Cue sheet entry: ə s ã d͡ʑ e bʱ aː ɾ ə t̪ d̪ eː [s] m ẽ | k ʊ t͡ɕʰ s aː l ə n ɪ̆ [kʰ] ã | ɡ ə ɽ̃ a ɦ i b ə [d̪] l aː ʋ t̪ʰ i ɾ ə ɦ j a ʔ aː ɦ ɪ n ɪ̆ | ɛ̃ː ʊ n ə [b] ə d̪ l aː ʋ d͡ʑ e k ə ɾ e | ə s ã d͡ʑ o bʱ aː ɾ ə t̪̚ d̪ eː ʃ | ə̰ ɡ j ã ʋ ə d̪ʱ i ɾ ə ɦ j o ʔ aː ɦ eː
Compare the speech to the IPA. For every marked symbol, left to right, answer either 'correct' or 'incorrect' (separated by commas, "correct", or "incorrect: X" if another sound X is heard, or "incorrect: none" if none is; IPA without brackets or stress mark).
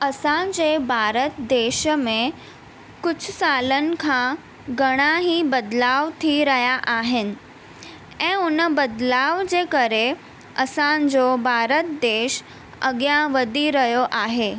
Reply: incorrect: ʃ, correct, correct, correct